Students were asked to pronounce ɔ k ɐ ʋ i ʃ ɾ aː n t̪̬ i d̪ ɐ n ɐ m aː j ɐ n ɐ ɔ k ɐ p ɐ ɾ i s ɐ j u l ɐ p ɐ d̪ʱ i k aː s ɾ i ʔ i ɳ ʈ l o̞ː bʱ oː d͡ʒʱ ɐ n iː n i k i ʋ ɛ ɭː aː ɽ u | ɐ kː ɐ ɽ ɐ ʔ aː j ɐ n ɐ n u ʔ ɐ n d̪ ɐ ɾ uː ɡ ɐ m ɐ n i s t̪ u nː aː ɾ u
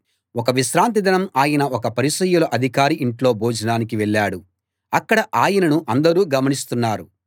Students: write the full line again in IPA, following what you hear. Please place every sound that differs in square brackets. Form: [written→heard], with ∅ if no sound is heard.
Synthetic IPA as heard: ɔ k ɐ ʋ i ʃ ɾ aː n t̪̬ i d̪ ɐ n ɐ m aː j ɐ n ɐ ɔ k ɐ p ɐ ɾ i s ɐ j u l ɐ [p→ʔ] ɐ d̪ʱ i k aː [s→∅] ɾ i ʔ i ɳ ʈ l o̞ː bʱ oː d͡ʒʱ ɐ n [iː→aː] n i k i ʋ ɛ ɭː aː ɽ u | ɐ kː ɐ ɽ ɐ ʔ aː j ɐ n ɐ n u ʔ ɐ n d̪ ɐ ɾ uː ɡ ɐ m ɐ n i s t̪ u nː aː ɾ u